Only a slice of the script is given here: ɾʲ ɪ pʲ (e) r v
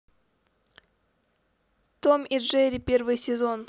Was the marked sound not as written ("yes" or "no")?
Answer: no